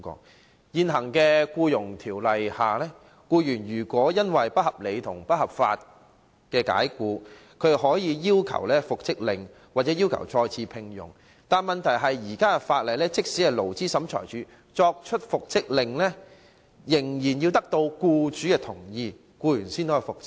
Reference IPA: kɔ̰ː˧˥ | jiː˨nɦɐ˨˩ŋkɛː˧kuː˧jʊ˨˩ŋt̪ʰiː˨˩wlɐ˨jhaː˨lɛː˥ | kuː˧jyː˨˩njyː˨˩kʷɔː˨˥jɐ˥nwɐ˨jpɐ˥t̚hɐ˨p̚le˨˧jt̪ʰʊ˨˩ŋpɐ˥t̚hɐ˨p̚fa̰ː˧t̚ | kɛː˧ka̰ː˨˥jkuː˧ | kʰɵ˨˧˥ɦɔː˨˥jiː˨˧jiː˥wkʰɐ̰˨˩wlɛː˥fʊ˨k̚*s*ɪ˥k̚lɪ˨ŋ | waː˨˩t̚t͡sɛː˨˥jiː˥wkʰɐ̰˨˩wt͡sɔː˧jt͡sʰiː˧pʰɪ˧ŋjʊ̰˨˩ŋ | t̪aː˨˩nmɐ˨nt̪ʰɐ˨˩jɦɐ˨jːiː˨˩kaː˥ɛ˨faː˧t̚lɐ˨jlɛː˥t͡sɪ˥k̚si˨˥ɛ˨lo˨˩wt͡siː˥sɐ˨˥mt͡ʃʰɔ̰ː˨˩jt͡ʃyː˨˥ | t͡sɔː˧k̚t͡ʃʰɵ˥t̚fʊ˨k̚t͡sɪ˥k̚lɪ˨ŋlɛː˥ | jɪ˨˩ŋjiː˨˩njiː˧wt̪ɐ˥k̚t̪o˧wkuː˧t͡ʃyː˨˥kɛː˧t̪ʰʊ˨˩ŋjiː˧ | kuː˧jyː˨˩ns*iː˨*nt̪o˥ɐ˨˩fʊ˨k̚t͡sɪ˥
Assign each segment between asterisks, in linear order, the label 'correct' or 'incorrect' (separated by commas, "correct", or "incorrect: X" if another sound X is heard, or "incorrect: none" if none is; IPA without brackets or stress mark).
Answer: incorrect: t͡s, incorrect: iː˥